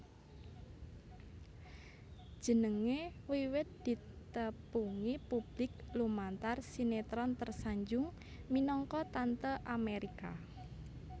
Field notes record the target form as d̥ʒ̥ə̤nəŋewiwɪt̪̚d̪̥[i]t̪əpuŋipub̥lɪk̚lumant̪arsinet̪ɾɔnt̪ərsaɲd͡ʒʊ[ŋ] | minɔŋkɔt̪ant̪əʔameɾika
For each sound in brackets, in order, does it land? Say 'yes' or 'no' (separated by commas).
yes, yes